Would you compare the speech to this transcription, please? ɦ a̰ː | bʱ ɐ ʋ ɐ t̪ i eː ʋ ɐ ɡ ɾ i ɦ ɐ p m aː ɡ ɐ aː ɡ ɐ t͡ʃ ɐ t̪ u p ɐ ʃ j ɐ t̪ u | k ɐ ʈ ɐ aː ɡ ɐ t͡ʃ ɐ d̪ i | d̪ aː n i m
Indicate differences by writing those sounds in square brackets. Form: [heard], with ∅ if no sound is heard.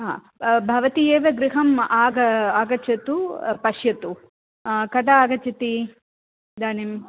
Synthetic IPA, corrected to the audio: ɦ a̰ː | bʱ ɐ ʋ ɐ t̪ i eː ʋ ɐ ɡ ɾ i ɦ ɐ [∅] m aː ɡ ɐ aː ɡ ɐ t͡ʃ ɐ t̪ u p ɐ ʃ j ɐ t̪ u | k ɐ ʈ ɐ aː ɡ ɐ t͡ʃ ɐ [t̪] i | d̪ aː n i m